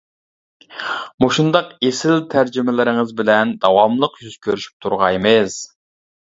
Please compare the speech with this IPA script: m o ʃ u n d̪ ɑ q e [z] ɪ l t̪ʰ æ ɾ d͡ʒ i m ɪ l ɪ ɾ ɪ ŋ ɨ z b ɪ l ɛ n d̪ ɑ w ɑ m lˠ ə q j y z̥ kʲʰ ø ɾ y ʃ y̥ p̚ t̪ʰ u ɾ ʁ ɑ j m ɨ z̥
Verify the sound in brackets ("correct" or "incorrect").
incorrect